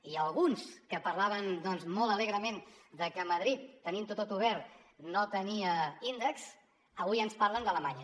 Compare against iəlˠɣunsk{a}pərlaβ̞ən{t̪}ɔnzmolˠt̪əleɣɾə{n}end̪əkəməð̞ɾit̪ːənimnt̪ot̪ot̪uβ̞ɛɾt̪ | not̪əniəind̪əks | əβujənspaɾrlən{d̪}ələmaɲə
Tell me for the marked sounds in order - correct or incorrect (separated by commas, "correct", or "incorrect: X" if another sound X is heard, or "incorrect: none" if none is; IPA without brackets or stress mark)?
incorrect: ə, incorrect: d̪, incorrect: m, correct